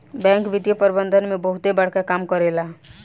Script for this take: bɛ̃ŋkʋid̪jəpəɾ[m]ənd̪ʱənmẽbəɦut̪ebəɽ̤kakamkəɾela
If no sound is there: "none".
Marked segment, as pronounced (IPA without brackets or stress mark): b